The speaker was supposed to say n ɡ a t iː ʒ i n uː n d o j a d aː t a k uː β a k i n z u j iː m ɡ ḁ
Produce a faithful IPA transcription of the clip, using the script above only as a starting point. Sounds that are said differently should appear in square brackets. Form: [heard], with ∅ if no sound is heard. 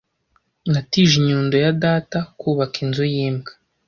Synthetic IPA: [ŋ] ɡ a t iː ʒ i [ɲ] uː n d o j a d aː t a k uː β a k i n z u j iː m ɡ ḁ